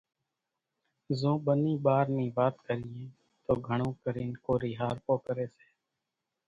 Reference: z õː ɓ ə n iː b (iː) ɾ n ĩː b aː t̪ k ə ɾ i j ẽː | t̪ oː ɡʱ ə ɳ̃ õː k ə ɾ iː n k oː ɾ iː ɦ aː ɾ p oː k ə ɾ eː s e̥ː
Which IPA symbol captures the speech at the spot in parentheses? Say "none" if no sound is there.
aː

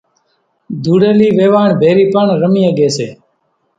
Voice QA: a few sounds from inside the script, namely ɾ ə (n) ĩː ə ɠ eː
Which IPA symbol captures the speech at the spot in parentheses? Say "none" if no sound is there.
m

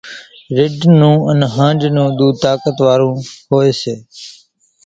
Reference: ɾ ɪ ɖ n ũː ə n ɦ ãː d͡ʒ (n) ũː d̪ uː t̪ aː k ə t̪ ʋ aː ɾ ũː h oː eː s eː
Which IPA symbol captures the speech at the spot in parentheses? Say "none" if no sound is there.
n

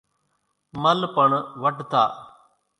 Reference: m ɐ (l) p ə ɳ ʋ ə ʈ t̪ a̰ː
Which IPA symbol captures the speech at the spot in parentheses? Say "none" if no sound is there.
l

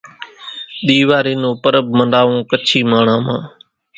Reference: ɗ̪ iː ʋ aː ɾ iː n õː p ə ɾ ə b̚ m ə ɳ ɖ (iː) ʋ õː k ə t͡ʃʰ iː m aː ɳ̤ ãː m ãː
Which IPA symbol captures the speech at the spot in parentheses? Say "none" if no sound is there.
aː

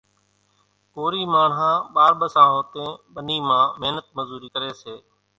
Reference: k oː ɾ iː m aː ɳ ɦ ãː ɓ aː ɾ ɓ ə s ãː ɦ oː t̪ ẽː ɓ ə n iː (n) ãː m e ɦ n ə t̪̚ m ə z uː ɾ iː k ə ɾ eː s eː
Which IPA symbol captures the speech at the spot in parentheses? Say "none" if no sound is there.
m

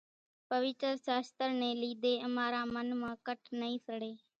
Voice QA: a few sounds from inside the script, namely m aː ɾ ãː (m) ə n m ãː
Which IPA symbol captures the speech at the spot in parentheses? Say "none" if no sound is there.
m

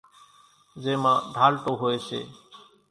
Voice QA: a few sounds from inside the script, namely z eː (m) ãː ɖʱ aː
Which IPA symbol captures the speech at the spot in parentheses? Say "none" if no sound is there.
m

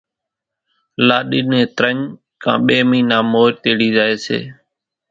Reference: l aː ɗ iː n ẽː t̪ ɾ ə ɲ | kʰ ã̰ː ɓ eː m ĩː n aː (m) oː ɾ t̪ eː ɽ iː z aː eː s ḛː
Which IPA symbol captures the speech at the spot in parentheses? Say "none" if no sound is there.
m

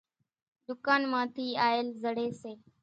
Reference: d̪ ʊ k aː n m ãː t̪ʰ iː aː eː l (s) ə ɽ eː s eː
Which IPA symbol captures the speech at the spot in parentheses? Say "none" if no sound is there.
z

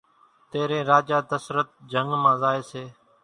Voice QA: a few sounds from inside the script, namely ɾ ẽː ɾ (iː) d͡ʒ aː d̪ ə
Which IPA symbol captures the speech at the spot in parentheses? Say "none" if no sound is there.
aː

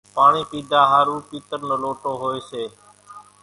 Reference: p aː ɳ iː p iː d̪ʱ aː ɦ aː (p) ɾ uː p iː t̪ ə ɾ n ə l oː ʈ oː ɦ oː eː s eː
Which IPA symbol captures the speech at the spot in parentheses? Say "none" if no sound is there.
none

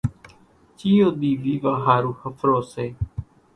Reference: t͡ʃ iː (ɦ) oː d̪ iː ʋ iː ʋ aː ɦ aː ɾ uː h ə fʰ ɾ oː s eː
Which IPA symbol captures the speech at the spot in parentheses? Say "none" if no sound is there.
none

